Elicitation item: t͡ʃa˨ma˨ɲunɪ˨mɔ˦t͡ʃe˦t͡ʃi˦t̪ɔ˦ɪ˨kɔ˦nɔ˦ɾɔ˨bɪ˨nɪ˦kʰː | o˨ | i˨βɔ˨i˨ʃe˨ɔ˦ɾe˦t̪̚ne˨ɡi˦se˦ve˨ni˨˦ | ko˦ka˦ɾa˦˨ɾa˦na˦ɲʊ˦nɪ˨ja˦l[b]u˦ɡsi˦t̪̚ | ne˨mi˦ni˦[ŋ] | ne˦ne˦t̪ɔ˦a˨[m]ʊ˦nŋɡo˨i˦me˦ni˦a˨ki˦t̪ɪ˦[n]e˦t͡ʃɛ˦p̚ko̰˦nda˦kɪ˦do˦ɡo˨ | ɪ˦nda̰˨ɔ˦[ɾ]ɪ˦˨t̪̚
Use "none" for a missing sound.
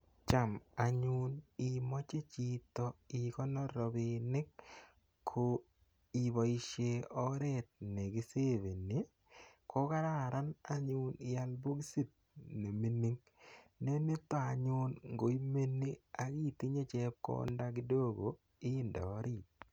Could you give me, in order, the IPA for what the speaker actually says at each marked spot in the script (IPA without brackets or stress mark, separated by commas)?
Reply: b, ŋ, ɲ, ɲ, ɾ